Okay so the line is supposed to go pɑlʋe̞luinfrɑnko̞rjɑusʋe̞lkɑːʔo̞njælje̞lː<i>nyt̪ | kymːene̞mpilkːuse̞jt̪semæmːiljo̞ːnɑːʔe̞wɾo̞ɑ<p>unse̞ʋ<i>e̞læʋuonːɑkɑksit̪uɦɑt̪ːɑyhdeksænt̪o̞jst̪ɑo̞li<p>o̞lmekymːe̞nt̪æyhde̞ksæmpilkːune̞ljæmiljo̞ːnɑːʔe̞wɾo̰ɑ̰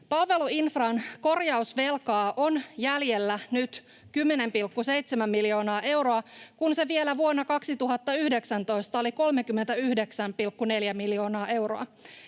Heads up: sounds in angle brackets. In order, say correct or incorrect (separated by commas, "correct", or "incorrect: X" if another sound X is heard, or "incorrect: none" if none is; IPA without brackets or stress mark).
incorrect: æ, incorrect: k, correct, incorrect: k